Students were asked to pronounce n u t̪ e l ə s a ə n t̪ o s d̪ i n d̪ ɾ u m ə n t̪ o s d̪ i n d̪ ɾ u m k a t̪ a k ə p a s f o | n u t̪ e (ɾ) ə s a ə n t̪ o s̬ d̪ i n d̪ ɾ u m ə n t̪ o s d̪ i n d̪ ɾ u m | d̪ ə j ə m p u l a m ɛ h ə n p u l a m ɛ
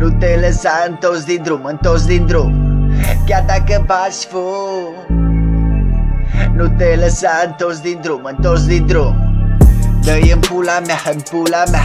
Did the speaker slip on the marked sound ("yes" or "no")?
yes